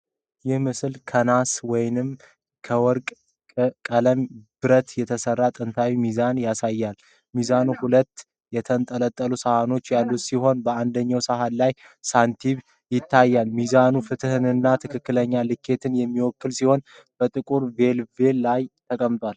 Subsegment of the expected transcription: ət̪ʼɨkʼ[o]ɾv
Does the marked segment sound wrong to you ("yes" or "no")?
yes